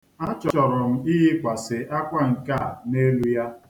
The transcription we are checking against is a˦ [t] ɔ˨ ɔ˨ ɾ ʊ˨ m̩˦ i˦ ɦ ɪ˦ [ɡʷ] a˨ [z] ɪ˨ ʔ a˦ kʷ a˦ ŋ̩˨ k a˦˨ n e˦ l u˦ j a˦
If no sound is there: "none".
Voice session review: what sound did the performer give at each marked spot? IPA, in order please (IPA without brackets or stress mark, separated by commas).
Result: t͡ʃ, kʷ, s